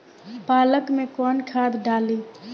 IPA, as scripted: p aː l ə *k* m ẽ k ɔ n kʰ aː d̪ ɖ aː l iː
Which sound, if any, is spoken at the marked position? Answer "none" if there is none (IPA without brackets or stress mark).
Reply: k